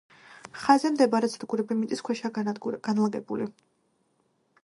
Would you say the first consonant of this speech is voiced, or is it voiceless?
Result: voiceless